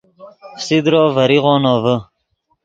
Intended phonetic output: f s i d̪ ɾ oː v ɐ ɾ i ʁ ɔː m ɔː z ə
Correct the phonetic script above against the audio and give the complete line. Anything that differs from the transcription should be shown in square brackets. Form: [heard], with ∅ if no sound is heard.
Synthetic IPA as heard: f s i d̪ ɾ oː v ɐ ɾ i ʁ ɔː [n] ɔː [v] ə

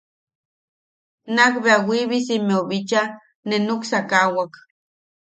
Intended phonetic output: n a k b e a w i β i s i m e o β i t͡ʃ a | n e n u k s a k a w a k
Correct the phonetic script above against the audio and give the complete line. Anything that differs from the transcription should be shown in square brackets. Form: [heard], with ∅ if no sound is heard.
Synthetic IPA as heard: n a k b e a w i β i s i m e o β i t͡ʃ a | n e n u k s a k a w a k

